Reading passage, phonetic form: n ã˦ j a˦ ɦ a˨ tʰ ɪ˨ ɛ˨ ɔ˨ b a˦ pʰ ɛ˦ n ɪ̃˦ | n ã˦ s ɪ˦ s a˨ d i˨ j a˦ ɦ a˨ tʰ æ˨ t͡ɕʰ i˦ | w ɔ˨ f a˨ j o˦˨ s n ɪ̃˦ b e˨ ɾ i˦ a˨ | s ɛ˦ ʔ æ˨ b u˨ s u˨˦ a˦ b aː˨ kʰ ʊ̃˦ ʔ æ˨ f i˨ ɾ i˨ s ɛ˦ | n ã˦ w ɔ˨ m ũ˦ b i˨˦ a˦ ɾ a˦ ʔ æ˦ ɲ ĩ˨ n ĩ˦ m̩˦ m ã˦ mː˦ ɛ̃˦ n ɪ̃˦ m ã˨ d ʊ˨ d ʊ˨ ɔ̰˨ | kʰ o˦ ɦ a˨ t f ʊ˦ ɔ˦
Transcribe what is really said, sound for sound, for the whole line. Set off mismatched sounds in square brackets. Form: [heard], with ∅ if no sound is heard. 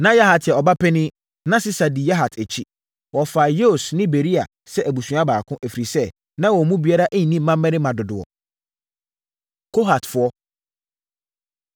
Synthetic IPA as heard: n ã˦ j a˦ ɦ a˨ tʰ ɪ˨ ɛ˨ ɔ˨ b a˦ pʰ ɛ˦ n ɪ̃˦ | n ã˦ s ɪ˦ s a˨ d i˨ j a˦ ɦ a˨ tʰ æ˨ t͡ɕʰ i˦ | w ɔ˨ f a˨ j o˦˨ s n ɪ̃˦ b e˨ ɾ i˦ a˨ | s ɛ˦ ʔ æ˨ b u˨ s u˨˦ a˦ b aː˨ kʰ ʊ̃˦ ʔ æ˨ f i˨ ɾ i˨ s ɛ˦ | n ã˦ w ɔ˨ m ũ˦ b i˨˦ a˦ ɾ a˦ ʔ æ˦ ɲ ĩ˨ n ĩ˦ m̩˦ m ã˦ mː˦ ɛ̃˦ n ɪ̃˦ m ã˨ d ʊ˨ d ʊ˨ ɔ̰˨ | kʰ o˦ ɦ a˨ t f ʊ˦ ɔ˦